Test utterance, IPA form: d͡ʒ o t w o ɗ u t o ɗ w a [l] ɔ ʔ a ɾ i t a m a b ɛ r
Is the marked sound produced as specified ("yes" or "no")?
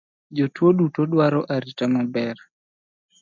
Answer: no